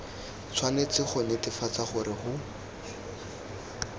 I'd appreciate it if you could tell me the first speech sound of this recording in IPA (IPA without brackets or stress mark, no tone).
t͡sʰ